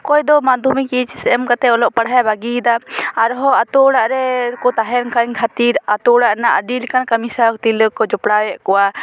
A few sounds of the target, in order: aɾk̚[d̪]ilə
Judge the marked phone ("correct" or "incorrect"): incorrect